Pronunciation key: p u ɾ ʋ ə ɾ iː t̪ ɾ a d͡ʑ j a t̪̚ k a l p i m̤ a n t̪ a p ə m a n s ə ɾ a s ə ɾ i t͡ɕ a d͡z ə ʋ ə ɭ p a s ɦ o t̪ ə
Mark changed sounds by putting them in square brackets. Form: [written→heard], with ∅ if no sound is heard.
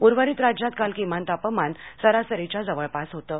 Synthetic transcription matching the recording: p u ɾ ʋ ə ɾ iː t̪ ɾ a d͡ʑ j a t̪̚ k a l [p→k] i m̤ a n t̪ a p ə m a n s ə ɾ a s ə ɾ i t͡ɕ a d͡z ə ʋ ə ɭ p a s ɦ o t̪ ə